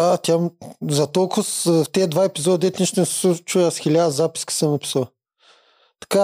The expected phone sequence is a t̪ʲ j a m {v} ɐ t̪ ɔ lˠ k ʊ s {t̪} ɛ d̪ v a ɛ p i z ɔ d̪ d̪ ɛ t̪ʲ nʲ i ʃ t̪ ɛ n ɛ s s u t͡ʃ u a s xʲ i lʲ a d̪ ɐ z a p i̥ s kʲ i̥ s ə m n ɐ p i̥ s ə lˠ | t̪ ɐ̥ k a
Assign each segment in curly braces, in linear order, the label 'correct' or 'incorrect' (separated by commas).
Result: incorrect, correct